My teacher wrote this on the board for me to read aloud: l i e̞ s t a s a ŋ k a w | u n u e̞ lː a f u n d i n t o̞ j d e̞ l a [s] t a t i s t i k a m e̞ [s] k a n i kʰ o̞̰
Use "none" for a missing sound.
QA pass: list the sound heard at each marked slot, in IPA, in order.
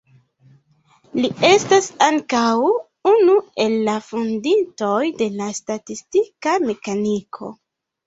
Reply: s, none

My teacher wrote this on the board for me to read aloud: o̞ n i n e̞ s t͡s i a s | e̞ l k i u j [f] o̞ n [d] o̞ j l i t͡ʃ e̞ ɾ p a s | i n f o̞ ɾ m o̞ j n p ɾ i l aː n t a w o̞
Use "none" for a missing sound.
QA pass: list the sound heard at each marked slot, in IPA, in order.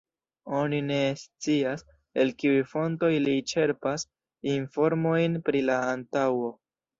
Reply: f, t

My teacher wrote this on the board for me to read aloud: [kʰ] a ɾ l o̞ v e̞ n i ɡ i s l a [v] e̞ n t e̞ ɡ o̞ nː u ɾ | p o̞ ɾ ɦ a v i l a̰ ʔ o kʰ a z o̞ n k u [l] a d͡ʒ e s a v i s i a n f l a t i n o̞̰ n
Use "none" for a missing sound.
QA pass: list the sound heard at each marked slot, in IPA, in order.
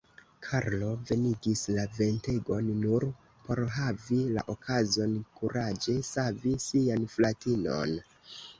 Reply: kʰ, v, ɾ

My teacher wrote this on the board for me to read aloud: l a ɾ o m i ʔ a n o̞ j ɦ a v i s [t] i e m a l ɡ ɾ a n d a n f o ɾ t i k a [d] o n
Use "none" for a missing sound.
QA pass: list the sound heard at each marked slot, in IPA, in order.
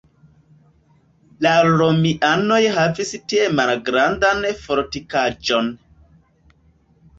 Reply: t, d͡ʒ

